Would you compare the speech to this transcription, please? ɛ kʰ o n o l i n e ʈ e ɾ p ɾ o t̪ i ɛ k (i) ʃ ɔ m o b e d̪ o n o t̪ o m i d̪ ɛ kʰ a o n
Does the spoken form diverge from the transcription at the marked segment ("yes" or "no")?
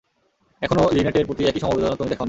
no